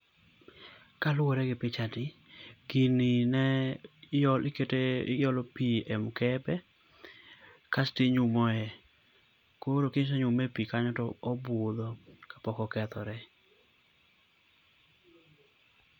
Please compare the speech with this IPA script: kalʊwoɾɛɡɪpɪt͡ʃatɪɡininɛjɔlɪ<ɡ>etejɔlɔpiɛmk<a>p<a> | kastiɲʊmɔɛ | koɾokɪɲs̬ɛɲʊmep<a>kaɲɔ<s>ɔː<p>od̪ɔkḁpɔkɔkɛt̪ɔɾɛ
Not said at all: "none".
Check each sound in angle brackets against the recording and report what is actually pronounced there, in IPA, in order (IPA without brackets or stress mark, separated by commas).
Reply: k, ɛ, ɛ, i, t, b